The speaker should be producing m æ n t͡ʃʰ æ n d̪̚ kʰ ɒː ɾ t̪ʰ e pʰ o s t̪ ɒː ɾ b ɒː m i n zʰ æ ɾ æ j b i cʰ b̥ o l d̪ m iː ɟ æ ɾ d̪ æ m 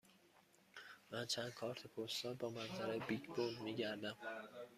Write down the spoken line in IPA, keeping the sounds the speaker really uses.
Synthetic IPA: m æ n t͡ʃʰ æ n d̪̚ kʰ ɒː ɾ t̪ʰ e pʰ o s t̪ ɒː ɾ b ɒː m æ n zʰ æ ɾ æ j b i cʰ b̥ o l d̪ m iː ɟ æ ɾ d̪ æ m